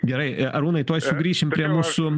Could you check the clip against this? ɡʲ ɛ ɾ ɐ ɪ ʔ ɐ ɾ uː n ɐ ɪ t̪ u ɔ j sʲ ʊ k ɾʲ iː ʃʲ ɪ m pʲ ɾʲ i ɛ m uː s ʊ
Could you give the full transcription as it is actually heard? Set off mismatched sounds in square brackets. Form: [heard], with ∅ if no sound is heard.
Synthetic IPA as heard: ɡʲ ɛ ɾ ɐ ɪ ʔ ɐ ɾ uː n ɐ ɪ t̪ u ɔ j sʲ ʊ [ɡ] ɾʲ iː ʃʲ ɪ m pʲ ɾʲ i ɛ m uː s ʊ